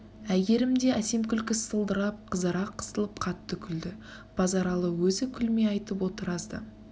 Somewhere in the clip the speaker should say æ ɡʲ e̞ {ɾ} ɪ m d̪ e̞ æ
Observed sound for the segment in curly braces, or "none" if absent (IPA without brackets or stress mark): ɾ